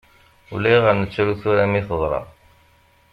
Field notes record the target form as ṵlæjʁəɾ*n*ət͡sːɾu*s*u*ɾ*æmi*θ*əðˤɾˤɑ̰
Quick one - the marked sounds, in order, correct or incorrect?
correct, incorrect, correct, correct

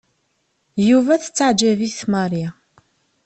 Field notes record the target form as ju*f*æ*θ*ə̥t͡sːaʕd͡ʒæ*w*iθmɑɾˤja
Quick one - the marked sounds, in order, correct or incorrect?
incorrect, correct, incorrect

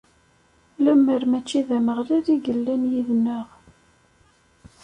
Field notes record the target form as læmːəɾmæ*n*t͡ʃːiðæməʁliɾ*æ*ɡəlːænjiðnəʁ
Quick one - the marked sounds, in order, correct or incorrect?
incorrect, incorrect

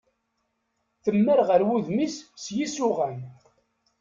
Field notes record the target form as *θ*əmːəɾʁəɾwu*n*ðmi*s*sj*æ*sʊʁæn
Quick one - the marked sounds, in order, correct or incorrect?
correct, incorrect, correct, incorrect

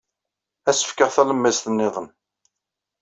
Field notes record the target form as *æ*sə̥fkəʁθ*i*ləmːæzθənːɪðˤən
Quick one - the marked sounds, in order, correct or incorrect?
correct, incorrect

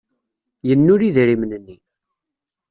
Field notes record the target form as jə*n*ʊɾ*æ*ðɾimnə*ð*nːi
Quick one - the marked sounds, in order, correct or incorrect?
incorrect, incorrect, incorrect

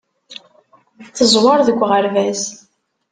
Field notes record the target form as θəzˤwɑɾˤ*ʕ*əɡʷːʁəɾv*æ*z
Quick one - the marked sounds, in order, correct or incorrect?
incorrect, correct

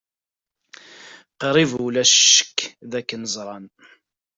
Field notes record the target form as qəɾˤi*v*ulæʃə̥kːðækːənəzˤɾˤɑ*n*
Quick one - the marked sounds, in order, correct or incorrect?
correct, correct

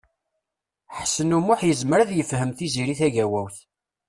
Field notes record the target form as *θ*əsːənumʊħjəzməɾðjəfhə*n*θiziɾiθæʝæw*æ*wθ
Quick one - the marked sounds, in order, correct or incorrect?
incorrect, incorrect, correct

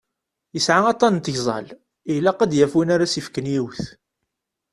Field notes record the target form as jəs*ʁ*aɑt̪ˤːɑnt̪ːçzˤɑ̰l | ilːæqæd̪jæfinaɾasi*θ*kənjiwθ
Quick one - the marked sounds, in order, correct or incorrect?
incorrect, incorrect

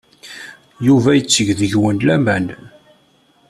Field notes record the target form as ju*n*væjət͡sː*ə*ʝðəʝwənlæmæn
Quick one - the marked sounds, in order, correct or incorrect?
incorrect, correct

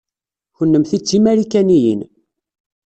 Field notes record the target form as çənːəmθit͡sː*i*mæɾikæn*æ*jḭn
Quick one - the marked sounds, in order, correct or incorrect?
correct, incorrect

